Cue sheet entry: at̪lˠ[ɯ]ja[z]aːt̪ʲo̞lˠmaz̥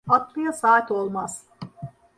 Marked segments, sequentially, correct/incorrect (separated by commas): correct, incorrect